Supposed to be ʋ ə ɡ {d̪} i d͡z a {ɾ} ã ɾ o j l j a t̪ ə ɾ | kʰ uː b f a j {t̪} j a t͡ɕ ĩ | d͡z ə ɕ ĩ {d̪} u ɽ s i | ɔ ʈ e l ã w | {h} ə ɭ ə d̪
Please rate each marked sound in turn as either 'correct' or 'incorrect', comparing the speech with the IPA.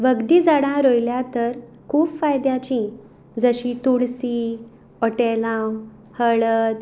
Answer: correct, incorrect: ɽ, incorrect: d̪, incorrect: t̪, correct

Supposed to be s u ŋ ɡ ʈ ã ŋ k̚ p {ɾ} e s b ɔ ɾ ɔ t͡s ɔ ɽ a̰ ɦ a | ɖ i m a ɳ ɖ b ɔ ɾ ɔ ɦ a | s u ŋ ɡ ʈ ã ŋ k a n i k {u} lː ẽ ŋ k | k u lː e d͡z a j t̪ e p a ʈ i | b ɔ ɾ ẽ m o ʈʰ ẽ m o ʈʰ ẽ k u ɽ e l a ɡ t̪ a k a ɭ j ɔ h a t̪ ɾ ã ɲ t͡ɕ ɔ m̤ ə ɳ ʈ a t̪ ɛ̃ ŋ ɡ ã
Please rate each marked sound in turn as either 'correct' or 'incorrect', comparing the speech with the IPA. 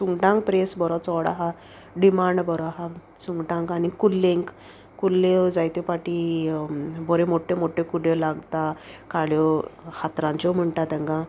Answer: correct, correct

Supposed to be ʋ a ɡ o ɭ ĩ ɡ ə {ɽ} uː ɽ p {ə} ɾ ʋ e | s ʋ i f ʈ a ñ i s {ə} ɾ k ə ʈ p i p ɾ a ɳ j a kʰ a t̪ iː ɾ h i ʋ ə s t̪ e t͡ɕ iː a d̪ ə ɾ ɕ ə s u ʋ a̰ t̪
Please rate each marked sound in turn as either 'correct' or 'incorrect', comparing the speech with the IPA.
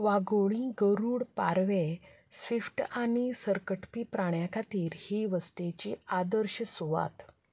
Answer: incorrect: ɾ, incorrect: a, correct

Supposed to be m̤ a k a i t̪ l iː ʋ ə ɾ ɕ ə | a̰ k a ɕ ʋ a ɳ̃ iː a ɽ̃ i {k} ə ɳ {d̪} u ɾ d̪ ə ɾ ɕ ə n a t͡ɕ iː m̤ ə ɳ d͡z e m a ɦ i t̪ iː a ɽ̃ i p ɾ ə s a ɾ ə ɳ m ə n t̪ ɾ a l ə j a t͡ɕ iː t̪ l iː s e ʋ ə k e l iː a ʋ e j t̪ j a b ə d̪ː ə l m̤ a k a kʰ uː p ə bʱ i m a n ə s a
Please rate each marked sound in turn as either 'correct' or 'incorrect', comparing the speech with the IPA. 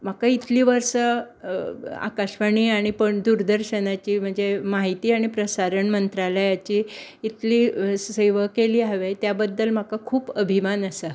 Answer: incorrect: p, correct

